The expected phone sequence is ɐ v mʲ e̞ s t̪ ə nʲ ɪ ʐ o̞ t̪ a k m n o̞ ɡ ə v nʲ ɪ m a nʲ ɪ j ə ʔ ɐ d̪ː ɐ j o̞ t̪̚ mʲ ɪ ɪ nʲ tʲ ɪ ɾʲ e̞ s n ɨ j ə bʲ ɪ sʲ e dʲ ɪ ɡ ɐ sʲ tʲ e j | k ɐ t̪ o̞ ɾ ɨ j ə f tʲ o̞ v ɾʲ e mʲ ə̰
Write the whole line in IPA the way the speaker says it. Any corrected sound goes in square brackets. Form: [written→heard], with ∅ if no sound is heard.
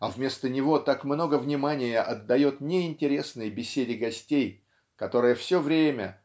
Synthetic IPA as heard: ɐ v mʲ e̞ s t̪ ə nʲ ɪ [ʐ→v] o̞ t̪ a k m n o̞ ɡ ə v nʲ ɪ m a nʲ ɪ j ə ʔ ɐ d̪ː ɐ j o̞ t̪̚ [mʲ→nʲ] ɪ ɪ nʲ tʲ ɪ ɾʲ e̞ s n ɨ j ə bʲ ɪ sʲ e dʲ ɪ ɡ ɐ sʲ tʲ e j | k ɐ t̪ o̞ ɾ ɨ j ə f [tʲ→sʲ] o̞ v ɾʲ e mʲ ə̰